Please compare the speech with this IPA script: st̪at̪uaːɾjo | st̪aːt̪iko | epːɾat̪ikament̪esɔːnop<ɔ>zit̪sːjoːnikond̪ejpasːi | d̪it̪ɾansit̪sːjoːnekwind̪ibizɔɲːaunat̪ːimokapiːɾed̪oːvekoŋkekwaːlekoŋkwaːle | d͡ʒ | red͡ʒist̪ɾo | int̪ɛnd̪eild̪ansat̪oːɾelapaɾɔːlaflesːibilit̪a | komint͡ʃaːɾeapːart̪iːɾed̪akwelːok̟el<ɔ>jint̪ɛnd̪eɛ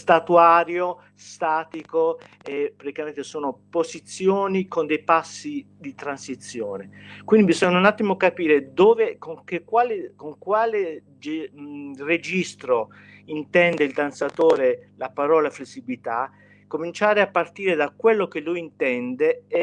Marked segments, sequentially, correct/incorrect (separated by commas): incorrect, incorrect